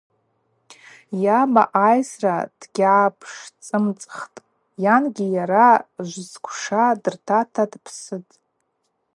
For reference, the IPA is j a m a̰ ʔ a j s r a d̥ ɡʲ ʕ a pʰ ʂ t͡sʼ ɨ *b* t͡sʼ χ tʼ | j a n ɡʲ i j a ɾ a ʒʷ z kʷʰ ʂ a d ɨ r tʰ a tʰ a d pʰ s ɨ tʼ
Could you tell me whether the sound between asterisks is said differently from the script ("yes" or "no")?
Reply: yes